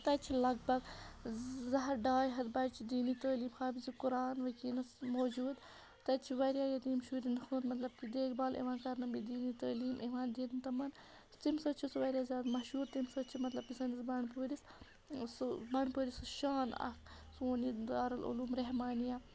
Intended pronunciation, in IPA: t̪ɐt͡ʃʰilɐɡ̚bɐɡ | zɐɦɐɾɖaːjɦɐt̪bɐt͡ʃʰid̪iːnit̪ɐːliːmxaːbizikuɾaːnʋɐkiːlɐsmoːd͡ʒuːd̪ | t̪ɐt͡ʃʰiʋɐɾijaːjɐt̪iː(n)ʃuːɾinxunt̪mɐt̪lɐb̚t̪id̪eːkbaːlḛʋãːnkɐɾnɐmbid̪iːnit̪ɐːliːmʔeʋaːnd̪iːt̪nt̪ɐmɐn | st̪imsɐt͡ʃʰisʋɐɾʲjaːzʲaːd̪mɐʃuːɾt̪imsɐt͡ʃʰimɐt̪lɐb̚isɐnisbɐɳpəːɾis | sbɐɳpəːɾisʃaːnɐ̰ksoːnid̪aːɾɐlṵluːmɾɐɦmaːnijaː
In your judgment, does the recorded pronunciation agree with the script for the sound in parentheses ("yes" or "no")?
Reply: no